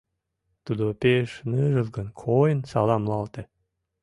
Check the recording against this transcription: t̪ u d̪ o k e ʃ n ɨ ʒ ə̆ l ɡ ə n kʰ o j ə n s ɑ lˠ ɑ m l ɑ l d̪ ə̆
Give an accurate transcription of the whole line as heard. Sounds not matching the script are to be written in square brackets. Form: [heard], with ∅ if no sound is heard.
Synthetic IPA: t̪ u d̪ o [p] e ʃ n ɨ ʒ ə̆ l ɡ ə n kʰ o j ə n s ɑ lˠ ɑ m l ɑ l [t̪] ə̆